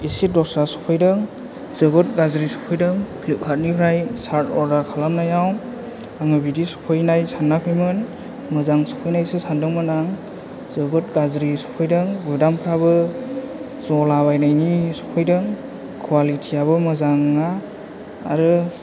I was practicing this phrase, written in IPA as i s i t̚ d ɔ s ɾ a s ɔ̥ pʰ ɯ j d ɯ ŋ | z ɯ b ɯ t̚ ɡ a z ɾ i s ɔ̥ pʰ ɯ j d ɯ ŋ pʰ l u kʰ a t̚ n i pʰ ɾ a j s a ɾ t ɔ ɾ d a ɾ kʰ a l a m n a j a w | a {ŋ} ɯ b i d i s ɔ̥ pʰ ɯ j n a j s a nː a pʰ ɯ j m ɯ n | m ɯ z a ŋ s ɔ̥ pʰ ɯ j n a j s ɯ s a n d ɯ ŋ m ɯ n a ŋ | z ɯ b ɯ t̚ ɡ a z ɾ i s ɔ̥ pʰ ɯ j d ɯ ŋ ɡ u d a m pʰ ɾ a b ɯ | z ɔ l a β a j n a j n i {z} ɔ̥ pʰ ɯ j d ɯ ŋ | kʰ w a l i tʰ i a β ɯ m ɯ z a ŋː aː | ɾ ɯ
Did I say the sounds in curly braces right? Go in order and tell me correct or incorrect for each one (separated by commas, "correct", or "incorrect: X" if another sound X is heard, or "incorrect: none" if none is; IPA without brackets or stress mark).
correct, incorrect: s